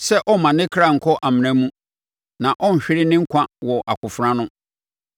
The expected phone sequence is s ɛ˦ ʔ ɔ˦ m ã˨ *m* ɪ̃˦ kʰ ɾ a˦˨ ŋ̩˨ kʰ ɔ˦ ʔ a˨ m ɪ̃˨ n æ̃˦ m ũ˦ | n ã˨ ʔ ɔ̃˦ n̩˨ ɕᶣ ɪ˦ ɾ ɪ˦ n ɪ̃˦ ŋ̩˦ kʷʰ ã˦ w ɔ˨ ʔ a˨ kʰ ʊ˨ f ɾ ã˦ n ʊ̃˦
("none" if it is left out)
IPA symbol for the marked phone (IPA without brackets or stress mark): n